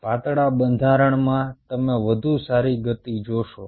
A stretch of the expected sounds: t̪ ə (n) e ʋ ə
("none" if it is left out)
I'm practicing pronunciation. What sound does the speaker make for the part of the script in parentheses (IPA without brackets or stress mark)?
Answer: m